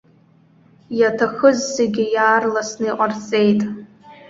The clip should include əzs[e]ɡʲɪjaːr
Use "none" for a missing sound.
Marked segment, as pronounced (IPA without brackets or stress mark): e